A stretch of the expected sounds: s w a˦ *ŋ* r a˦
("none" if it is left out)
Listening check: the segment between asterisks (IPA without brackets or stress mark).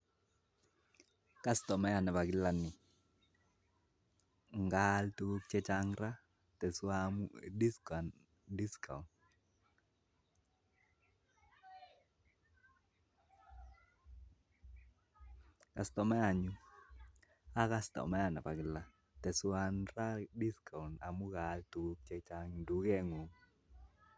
n